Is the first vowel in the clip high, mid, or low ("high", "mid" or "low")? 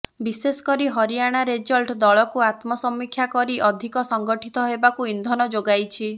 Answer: high